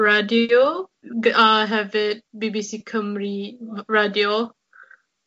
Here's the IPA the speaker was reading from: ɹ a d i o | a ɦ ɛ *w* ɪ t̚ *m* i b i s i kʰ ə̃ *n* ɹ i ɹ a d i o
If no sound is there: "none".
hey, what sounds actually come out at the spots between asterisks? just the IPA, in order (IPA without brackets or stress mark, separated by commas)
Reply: v, b, m